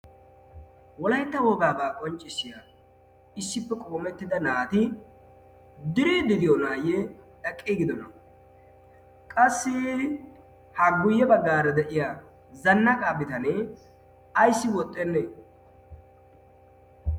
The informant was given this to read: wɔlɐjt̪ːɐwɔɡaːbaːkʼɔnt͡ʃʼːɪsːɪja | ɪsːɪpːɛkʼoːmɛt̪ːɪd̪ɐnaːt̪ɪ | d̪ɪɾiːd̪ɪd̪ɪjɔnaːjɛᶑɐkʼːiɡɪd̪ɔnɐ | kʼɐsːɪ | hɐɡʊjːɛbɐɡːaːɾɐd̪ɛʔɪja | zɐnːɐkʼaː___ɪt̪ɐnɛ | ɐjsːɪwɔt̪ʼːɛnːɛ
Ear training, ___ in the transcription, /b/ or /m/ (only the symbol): b